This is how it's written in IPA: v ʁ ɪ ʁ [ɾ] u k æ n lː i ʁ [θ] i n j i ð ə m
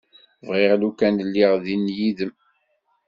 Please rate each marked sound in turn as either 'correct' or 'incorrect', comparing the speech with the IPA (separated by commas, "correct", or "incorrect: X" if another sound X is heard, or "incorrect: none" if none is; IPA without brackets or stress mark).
incorrect: l, incorrect: ð